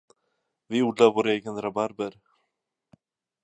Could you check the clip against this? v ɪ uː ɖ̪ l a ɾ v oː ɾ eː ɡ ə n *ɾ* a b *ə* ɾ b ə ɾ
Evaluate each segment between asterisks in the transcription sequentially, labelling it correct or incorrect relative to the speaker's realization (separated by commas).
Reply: correct, incorrect